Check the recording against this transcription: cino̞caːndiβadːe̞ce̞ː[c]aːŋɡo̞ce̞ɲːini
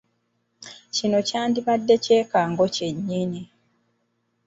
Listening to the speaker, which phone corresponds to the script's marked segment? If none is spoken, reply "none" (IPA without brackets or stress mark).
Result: k